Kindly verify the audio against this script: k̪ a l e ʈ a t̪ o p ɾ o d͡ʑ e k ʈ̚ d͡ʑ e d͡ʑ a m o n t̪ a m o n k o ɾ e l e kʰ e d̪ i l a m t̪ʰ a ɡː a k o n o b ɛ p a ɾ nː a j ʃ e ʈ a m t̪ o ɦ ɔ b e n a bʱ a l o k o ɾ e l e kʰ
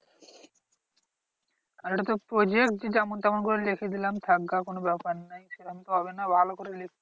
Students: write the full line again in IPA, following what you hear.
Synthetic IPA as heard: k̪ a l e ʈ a t̪ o p ɾ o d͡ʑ e k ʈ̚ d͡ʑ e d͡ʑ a m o n t̪ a m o n k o ɾ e l e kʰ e d̪ i l a m t̪ʰ a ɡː a k o n o b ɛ p a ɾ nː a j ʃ e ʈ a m t̪ o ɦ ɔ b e n a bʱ a l o k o ɾ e l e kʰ

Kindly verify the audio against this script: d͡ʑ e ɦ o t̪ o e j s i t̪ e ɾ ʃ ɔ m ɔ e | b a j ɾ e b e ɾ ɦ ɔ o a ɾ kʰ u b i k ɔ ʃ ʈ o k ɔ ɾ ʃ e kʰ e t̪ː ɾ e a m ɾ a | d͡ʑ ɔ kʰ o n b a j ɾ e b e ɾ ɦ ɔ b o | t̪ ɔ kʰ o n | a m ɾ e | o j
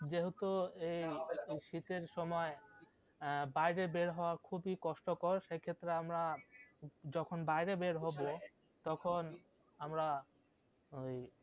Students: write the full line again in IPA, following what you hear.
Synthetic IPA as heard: d͡ʑ e ɦ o t̪ o e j ʃ i t̪ e ɾ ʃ ɔ m ɔ e | b a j ɾ e b e ɾ ɦ ɔ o a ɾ kʰ u b i k ɔ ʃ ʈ o k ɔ ɾ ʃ e kʰ e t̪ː ɾ e a m ɾ a | d͡ʑ ɔ kʰ o n b a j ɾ e b e ɾ ɦ ɔ b o | t̪ ɔ kʰ o n | a m ɾ a | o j

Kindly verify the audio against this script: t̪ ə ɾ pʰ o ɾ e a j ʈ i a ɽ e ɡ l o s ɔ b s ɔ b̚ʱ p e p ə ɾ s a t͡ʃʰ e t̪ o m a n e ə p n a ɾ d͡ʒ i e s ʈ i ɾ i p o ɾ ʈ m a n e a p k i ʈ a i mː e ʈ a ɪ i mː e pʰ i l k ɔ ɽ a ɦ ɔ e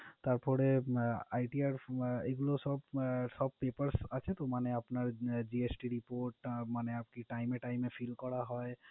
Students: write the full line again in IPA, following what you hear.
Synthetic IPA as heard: t̪ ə ɾ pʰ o ɾ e a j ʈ i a ɾ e ɡ l o s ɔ b s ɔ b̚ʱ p e p ə ɾ s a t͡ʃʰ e t̪ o m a n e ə p n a ɾ d͡ʒ i e s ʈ i ɾ i p o ɾ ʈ m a n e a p k i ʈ a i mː e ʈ a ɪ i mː e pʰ i l k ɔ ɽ a ɦ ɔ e

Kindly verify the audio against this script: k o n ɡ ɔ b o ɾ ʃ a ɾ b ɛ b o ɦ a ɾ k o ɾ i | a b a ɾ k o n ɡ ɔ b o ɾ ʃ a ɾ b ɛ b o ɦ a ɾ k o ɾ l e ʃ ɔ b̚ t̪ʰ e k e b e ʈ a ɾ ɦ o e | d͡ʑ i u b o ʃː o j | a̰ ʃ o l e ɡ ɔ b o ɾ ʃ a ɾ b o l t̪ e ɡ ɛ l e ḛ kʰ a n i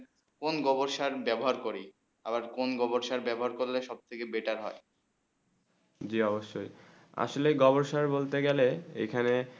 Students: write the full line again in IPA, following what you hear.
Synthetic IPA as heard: k o n ɡ ɔ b o ɾ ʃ a ɾ b ɛ b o ɦ a ɾ k o ɾ i | a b a ɾ k o n ɡ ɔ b o ɾ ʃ a ɾ b ɛ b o ɦ a ɾ k o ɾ l e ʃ ɔ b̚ t̪ʰ e k e b e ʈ a ɾ ɦ ɔ e | d͡ʑ i ɔ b o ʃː o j | a̰ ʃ o l e ɡ ɔ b o ɾ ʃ a ɾ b o l t̪ e ɡ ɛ l e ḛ kʰ a n e

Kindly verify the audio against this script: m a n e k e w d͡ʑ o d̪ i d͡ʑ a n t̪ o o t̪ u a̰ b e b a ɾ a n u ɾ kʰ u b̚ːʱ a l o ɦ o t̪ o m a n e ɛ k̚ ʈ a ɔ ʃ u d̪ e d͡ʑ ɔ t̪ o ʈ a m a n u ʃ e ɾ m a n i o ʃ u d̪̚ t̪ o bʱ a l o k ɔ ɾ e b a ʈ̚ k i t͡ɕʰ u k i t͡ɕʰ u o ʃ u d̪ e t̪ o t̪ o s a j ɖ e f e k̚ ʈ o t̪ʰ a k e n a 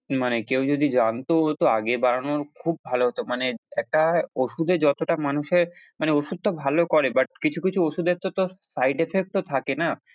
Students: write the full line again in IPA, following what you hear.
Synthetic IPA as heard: m a n e k e w d͡ʑ o d̪ i d͡ʑ a n t̪ o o t̪ o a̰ ɡ e b a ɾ a n o ɾ kʰ u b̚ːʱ a l o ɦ o t̪ o m a n e ɛ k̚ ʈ a o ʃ u d̪ e d͡ʑ ɔ t̪ o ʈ a m a n u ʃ e ɾ m a n e o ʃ u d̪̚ t̪ o bʱ a l o k ɔ ɾ e b a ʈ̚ k i t͡ɕʰ u k i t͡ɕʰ u o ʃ u d̪ e t̪ o t̪ o s a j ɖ e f e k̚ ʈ o t̪ʰ a k e n a

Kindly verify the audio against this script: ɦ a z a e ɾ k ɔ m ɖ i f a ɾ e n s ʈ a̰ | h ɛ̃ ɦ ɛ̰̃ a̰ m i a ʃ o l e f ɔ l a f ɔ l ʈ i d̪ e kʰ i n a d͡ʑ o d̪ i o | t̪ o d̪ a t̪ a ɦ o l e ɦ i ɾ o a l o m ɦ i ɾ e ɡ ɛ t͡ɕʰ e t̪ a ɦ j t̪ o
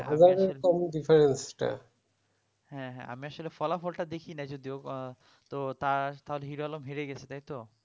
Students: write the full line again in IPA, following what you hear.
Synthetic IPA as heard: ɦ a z a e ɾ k ɔ m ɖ i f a ɾ e n s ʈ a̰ | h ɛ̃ ɦ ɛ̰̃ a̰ m i a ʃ o l e f ɔ l a f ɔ l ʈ a d̪ e kʰ i n a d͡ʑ o d̪ i o | t̪ o t̪ a t̪ a ɦ o l e ɦ i ɾ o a l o m ɦ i ɾ e ɡ ɛ t͡ɕʰ e t̪ a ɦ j t̪ o

